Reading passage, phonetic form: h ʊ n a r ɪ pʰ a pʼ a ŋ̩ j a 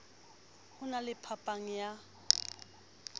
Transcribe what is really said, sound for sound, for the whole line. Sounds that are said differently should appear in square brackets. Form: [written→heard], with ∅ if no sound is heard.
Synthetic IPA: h ʊ n a [r→l] ɪ pʰ a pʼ a ŋ̩ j a